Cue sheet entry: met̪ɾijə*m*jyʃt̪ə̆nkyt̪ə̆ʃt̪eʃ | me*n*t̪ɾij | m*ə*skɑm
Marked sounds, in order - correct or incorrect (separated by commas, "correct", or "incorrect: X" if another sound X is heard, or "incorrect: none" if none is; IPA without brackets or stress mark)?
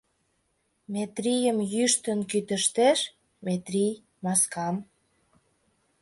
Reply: correct, incorrect: none, incorrect: ɑ